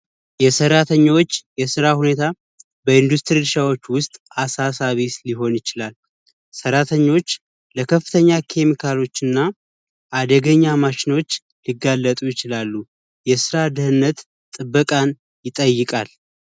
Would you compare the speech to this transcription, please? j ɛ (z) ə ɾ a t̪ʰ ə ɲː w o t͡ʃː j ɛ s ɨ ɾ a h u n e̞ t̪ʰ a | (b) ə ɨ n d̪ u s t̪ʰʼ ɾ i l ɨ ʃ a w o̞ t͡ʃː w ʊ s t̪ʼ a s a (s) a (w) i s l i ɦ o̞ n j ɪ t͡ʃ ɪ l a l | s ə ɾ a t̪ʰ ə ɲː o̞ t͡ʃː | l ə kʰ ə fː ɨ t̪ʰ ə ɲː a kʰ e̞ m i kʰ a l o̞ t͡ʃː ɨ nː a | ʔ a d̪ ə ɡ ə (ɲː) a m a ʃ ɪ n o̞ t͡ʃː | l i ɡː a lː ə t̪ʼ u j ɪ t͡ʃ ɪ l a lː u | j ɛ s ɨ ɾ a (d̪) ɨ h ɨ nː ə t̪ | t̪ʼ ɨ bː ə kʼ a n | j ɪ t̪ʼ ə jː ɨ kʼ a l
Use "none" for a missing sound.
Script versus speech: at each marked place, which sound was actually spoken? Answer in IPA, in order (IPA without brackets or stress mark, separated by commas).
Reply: s, b, s, β, ɲː, d̪